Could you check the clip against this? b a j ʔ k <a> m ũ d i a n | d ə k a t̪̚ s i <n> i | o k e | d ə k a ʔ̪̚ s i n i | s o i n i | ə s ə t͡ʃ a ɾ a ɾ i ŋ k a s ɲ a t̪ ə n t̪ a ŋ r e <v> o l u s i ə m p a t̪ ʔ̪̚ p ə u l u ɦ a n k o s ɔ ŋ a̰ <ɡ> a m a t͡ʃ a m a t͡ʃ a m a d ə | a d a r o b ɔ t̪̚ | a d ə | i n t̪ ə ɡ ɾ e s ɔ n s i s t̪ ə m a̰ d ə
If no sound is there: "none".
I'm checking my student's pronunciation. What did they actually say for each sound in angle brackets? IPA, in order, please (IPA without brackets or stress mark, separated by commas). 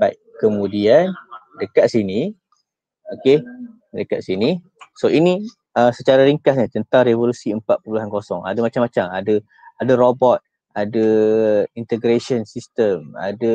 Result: ə, n, v, d